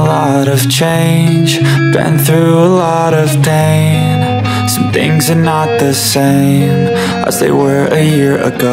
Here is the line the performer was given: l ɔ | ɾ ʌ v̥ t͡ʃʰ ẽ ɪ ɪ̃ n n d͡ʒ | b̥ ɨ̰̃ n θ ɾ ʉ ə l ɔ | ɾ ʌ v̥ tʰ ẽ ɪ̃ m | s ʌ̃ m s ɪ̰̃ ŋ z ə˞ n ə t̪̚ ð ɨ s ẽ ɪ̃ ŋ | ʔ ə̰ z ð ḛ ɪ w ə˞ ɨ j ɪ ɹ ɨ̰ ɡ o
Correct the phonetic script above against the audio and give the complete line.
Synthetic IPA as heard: l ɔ | ɾ ʌ v̥ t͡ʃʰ ẽ ɪ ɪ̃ n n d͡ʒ | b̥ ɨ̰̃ n θ ɹ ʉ ə l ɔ | ɾ ʌ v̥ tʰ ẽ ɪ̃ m | s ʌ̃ m θ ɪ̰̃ ŋ z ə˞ n ə t̪̚ ð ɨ s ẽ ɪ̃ m | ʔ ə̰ z ð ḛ ɪ w ə˞ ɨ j ɪ ɹ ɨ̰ ɡ o